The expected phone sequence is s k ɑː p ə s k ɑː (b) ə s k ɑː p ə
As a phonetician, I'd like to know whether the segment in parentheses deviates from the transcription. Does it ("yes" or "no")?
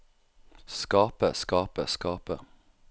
yes